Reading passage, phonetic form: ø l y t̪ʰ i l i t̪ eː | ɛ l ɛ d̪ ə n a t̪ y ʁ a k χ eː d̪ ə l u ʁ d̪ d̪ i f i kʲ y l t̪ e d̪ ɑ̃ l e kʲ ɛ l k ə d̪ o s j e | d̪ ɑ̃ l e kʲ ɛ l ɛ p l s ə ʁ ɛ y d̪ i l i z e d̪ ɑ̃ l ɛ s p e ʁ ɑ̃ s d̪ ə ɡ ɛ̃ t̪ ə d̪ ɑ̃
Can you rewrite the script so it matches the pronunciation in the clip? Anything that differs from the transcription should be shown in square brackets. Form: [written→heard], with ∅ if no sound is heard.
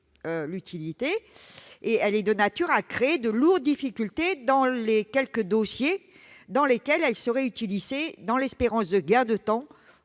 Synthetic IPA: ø l y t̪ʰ i l i t̪ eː | ɛ l ɛ d̪ ə n a t̪ y ʁ a k χ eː d̪ ə l u ʁ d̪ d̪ i f i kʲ y l t̪ e d̪ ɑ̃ l e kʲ ɛ l k ə d̪ o s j e | d̪ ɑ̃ l e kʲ ɛ l ɛ [p→∅] l s ə ʁ ɛ y [d̪→t̪] i l i z e d̪ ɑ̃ l ɛ s p e ʁ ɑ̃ s d̪ ə ɡ ɛ̃ [t̪→d̪] ə [d̪→t̪] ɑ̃